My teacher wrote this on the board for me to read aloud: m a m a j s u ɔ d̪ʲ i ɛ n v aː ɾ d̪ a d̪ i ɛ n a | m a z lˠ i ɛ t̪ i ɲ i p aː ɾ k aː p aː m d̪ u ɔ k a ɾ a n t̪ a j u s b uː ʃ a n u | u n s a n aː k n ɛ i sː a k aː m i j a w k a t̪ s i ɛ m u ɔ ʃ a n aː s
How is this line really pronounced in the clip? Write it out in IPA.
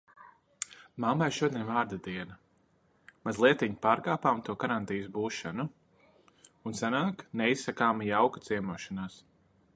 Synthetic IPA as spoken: m a m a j ʃ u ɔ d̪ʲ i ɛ n v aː ɾ d̪ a d̪ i ɛ n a | m a z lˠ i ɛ t̪ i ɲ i p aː ɾ k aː p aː m t̪ u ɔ k a ɾ a n t̪ i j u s b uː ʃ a n u | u n s a n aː k n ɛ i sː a k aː m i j a w k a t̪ s i ɛ m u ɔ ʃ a n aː s